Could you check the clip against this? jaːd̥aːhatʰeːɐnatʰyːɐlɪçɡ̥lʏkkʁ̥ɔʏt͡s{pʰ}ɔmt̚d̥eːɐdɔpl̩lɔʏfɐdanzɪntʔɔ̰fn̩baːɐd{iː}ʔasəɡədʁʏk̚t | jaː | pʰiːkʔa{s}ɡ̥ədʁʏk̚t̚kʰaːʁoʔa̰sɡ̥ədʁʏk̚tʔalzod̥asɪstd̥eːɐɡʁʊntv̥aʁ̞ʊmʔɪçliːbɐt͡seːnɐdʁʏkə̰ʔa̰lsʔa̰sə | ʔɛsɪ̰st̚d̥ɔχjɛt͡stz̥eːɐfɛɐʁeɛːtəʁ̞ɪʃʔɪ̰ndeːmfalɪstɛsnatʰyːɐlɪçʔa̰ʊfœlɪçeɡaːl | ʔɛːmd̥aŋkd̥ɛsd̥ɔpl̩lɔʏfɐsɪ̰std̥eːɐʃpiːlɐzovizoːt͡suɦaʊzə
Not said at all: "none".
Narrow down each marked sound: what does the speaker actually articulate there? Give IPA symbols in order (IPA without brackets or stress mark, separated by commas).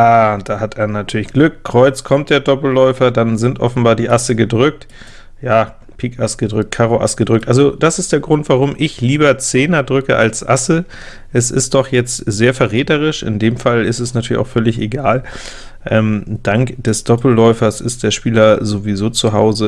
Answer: kʰ, iː, s